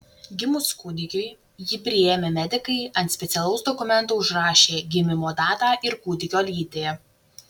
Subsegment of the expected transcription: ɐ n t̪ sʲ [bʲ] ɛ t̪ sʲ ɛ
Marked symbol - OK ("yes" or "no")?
no